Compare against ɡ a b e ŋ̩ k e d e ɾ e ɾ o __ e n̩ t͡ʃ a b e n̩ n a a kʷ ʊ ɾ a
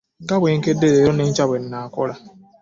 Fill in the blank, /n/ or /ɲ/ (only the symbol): n